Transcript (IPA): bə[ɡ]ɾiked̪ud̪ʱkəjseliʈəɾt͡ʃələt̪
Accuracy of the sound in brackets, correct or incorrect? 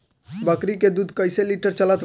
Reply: incorrect